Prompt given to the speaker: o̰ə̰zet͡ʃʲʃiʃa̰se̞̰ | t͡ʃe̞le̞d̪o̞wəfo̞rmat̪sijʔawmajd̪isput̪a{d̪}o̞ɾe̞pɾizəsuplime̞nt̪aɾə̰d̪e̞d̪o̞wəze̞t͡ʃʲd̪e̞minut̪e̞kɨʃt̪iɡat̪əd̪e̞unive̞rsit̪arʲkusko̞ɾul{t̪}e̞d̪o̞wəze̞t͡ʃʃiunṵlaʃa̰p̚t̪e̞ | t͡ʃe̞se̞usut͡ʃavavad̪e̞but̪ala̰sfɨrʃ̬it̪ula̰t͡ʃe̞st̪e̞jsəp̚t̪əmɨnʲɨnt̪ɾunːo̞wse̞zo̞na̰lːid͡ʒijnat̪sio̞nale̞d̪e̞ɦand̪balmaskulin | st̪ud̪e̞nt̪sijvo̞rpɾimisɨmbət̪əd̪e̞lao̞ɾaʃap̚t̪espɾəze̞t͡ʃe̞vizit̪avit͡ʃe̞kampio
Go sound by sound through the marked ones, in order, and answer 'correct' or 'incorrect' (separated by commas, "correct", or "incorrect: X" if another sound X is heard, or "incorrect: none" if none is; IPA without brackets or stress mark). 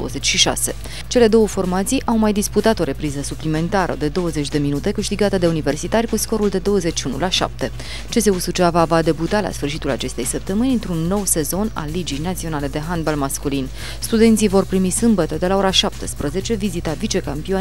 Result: incorrect: t̪, incorrect: d̪